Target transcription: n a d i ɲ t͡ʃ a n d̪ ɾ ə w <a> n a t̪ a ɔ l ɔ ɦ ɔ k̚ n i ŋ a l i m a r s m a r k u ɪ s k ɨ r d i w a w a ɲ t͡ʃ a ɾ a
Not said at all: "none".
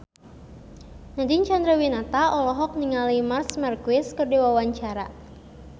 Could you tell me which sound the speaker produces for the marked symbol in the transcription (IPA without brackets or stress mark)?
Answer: i